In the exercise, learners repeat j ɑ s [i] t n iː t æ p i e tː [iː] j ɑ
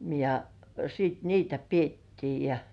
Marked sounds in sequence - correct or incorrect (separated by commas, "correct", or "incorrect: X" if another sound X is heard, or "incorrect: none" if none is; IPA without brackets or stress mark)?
incorrect: iː, correct